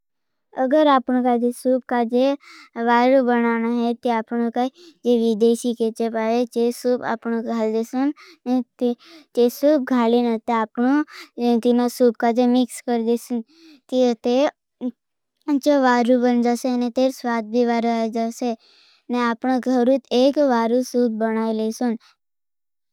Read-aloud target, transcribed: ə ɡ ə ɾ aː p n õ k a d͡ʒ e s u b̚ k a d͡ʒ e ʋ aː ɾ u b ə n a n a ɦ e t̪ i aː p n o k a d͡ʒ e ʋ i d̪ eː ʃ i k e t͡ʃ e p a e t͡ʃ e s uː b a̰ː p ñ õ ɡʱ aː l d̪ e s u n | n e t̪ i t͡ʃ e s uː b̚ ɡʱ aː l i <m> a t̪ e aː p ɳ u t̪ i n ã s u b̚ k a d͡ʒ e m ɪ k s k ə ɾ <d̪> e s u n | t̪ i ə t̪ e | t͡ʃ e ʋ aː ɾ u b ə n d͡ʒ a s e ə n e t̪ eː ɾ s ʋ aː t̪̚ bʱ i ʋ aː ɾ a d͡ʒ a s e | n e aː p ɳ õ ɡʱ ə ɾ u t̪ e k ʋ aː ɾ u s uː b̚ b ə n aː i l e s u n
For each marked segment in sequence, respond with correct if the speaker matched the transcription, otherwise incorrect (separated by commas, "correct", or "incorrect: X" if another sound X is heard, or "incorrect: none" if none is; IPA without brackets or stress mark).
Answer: incorrect: n, correct